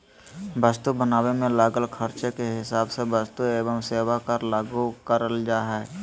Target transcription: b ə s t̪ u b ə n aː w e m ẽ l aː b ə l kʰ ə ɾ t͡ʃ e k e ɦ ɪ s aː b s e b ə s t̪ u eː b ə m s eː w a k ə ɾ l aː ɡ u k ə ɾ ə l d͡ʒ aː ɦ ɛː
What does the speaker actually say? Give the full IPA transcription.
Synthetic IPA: b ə s t̪ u b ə n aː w e m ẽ l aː ɡ ə l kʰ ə ɾ t͡ʃ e k e ɦ ɪ s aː b s e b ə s t̪ u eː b ə m s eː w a k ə ɾ l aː ɡ u k ə ɾ ə l d͡ʒ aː ɦ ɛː